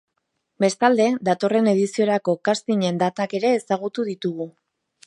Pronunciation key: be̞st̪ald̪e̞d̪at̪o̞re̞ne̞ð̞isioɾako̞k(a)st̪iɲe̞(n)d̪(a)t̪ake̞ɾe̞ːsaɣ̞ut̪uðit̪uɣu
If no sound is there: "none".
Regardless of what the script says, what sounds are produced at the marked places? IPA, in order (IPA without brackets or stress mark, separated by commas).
a, n, a